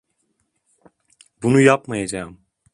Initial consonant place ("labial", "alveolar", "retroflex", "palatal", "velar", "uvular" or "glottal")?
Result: labial